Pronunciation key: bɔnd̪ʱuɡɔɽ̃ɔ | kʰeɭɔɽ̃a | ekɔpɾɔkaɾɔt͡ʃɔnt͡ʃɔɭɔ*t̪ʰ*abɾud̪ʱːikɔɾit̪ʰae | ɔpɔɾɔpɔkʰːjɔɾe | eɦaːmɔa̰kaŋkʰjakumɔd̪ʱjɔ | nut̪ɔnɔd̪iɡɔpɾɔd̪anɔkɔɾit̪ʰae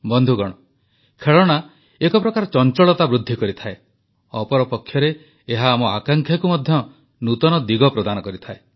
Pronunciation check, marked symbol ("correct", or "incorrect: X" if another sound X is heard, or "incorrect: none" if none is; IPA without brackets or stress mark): incorrect: t̪